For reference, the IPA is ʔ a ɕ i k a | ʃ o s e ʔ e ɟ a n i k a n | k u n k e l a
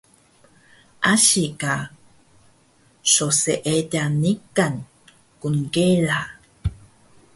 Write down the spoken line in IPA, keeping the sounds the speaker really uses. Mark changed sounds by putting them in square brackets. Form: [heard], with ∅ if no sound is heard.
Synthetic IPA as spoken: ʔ a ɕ i k a | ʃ o s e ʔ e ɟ a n i k a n | k u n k e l a